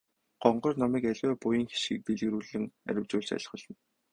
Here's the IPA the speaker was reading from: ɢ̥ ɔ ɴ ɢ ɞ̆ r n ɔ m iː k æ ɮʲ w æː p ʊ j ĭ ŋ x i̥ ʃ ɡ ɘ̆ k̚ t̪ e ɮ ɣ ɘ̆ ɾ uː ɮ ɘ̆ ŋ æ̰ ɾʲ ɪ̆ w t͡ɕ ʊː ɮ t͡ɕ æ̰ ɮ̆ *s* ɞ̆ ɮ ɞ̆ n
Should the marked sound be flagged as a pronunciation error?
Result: yes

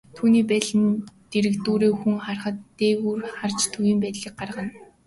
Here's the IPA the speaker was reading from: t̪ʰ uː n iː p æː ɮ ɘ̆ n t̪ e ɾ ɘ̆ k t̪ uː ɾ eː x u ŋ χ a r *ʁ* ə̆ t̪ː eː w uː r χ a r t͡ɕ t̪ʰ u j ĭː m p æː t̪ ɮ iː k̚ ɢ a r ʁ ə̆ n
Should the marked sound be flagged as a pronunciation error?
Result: yes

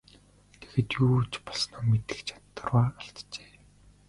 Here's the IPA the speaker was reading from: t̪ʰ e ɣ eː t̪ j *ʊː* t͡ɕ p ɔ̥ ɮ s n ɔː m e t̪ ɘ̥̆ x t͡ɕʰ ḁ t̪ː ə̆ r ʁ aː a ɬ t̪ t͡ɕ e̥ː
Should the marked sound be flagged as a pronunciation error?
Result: yes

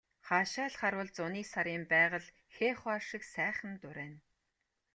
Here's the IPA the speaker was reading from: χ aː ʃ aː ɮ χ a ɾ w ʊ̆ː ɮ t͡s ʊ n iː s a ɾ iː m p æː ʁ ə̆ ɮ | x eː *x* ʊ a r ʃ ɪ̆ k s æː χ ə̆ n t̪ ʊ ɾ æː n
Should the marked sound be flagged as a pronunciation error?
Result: yes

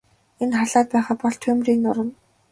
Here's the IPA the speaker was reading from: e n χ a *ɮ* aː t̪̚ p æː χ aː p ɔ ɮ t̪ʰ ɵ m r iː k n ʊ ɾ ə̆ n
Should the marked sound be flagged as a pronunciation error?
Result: no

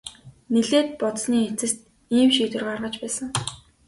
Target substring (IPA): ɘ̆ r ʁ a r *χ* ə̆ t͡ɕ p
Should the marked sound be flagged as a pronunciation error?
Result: yes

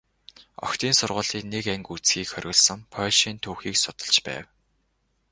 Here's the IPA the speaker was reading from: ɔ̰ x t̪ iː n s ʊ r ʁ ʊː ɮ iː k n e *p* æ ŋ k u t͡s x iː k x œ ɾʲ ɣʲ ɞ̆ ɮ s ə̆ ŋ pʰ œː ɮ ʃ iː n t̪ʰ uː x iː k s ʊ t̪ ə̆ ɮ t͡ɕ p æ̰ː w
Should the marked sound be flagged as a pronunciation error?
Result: yes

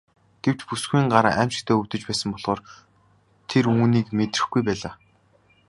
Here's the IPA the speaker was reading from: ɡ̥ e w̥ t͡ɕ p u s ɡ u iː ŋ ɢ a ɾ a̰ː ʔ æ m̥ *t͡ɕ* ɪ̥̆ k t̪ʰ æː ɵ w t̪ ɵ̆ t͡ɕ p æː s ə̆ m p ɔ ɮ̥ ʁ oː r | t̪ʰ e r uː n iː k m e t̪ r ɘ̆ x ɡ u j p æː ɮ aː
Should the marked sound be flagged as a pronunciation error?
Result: no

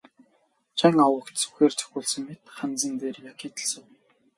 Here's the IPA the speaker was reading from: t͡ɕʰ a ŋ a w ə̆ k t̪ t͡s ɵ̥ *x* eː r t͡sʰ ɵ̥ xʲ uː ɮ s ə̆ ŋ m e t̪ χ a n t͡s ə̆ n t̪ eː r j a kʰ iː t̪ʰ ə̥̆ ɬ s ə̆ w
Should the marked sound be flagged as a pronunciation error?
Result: no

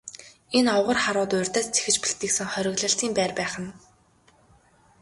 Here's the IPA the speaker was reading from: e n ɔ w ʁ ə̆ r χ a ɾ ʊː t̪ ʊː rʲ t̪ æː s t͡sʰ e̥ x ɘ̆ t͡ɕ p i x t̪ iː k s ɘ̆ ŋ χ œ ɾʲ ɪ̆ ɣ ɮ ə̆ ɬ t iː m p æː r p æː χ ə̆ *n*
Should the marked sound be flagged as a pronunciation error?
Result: no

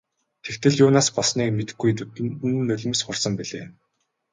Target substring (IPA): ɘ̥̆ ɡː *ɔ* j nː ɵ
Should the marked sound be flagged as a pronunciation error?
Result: yes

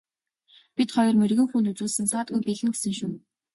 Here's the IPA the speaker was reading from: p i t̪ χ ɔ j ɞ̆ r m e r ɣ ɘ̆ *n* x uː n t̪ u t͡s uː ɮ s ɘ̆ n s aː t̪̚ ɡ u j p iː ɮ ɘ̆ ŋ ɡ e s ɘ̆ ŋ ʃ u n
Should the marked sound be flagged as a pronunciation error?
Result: yes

